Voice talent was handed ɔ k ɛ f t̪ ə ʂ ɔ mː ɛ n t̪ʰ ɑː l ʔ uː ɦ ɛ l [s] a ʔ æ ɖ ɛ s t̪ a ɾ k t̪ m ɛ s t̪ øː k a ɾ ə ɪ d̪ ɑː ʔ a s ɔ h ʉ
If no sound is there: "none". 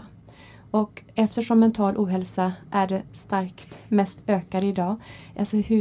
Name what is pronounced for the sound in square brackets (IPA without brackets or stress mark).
s